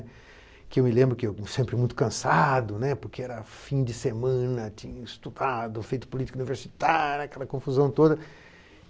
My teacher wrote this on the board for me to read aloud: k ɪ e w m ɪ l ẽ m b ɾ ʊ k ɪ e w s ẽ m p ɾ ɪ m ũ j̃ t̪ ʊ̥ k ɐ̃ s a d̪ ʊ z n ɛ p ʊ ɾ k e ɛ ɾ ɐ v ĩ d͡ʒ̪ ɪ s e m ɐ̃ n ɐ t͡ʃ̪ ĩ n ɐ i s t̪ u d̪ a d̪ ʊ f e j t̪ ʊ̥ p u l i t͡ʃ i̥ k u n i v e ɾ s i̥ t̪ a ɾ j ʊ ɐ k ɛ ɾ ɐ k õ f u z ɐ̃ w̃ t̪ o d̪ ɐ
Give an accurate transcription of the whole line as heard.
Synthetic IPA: k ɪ e w m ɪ l ẽ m b ɾ ʊ k ɪ e w s ẽ m p ɾ ɪ m ũ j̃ t̪ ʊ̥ k ɐ̃ s a d̪ ʊ n ɛ p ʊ ɾ k e ɛ ɾ ɐ f ĩ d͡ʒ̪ ɪ s e m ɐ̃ n ɐ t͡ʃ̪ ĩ ɲ ɐ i s t̪ u d̪ a d̪ ʊ f e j t̪ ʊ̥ p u l i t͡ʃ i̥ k u n i v e ɾ s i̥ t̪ a ɾ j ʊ ɐ k ɛ l ɐ k õ f u z ɐ̃ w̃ t̪ o d̪ ɐ